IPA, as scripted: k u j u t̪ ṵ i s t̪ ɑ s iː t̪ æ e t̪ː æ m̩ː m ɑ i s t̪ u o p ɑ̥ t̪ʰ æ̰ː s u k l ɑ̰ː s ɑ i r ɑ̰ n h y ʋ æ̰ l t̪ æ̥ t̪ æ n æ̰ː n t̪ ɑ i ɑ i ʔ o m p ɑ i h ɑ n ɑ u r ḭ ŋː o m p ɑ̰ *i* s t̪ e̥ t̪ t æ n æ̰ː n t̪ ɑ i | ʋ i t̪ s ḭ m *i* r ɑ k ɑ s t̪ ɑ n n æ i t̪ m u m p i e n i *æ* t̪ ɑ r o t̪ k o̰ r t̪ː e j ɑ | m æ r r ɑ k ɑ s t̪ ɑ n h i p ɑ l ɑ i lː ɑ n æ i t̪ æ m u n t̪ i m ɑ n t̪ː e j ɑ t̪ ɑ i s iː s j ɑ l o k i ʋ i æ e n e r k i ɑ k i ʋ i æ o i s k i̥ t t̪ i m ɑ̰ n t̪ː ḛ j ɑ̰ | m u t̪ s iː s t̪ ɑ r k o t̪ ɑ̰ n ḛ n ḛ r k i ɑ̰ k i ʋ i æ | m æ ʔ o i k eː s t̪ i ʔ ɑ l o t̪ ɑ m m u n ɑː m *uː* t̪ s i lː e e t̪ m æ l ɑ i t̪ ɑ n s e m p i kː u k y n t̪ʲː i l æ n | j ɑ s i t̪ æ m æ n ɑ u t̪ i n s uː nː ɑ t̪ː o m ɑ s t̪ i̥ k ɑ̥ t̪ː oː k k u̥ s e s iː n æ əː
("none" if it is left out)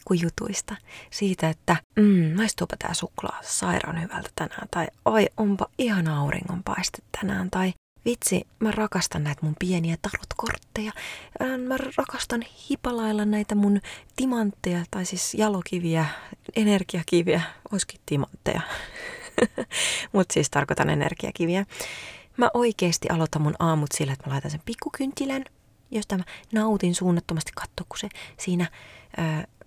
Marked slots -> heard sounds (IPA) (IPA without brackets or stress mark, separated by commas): i, æ, æ, u